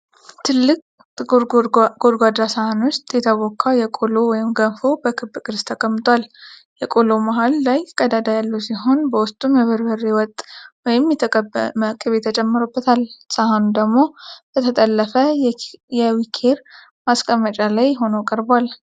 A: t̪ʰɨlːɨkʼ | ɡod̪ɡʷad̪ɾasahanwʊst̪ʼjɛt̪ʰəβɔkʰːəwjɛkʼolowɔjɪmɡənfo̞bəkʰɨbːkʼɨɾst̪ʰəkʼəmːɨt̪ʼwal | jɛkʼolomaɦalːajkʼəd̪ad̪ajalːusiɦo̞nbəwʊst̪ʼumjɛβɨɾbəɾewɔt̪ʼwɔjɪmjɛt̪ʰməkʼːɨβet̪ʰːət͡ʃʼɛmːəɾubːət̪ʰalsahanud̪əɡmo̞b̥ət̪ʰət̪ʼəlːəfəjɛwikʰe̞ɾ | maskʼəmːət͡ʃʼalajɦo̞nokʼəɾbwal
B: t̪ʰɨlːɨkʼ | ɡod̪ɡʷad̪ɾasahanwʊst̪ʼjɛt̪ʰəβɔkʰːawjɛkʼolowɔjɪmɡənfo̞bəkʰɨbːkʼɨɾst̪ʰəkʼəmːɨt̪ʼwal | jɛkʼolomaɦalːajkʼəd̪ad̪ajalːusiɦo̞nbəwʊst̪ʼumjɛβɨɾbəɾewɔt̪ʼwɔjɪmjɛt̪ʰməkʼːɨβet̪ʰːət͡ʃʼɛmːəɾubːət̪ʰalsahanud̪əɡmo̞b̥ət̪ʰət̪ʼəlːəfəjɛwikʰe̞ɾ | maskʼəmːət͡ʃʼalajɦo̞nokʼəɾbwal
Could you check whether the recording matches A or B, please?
B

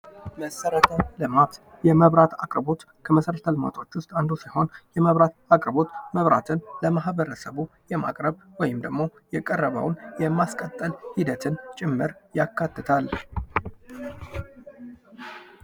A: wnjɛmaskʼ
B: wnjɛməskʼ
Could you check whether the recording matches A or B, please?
A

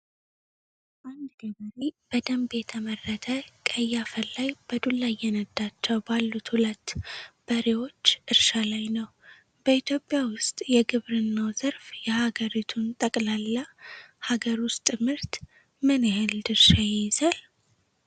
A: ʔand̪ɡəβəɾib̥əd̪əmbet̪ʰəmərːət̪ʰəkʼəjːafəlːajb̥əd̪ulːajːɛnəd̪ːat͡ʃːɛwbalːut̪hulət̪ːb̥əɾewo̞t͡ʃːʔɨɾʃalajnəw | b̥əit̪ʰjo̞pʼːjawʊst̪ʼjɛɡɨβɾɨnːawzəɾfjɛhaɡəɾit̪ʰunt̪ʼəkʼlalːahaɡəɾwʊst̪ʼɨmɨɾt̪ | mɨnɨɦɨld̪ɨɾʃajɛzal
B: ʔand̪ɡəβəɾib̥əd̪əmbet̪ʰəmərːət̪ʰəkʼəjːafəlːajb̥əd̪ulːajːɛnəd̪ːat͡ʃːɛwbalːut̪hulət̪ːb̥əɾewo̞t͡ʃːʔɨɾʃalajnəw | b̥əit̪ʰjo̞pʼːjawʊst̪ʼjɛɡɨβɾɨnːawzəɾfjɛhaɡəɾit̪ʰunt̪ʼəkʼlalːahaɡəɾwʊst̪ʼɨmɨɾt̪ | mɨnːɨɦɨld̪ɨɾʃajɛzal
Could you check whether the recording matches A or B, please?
A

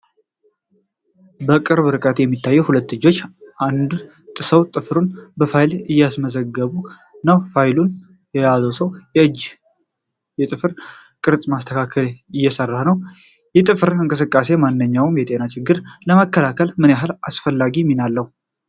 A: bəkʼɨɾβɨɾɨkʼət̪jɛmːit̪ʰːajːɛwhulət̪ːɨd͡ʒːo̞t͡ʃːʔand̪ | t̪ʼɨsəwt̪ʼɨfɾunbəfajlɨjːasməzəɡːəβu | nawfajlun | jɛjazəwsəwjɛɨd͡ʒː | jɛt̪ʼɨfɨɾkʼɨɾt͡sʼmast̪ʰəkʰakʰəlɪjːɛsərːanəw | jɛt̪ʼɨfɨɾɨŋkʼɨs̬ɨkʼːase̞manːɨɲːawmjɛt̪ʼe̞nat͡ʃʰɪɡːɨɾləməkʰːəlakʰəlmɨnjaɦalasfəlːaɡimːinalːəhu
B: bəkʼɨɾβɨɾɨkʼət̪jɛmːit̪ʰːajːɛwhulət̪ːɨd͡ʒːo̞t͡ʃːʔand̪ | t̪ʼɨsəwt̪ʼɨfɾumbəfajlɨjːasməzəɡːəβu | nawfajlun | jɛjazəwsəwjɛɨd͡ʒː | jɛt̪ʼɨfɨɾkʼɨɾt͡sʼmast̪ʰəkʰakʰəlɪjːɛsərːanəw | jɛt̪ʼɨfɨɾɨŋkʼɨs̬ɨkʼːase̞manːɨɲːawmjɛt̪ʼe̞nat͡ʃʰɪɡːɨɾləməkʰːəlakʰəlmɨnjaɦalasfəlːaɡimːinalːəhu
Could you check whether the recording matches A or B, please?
A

